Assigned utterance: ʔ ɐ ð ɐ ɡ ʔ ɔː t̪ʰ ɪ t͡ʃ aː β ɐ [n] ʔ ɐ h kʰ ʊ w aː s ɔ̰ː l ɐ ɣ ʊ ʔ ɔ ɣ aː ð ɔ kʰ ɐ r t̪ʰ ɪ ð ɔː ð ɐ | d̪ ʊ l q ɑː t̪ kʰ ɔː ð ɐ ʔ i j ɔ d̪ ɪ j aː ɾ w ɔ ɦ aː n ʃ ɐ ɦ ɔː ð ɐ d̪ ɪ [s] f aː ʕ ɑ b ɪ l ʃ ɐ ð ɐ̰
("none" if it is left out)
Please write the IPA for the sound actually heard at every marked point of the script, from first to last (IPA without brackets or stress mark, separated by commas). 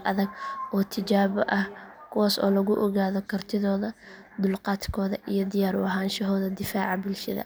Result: none, none